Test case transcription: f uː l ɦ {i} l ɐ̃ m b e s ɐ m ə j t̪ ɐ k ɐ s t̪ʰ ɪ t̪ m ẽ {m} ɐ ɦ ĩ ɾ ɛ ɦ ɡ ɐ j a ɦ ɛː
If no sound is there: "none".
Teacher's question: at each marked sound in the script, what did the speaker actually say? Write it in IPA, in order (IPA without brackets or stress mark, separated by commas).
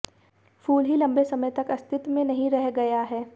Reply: i, n